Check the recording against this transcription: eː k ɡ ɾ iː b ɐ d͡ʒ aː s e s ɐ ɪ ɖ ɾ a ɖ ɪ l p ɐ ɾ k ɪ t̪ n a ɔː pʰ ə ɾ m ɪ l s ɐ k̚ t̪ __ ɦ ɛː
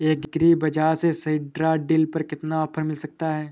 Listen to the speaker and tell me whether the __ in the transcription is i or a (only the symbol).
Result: a